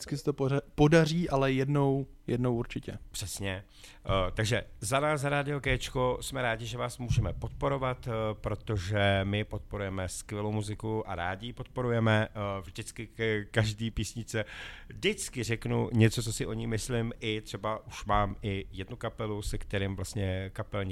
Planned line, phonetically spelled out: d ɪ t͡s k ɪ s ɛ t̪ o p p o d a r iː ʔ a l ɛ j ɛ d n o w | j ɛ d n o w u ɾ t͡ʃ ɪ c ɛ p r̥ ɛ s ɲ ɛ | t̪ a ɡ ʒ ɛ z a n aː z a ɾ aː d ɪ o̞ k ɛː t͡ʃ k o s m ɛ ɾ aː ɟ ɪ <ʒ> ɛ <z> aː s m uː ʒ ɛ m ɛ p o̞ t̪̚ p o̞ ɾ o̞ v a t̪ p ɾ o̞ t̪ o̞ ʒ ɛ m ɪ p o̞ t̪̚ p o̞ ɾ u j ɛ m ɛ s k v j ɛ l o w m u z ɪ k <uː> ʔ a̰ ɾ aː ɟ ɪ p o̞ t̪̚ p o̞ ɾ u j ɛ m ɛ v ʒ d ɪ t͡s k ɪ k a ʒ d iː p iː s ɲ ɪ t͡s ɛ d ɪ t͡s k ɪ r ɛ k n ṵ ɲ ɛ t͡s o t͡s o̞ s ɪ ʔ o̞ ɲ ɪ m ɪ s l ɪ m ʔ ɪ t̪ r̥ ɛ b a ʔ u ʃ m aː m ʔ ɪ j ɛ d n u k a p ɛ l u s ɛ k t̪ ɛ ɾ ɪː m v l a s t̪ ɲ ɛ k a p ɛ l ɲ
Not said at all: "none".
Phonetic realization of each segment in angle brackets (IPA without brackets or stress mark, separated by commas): ʒ, v, u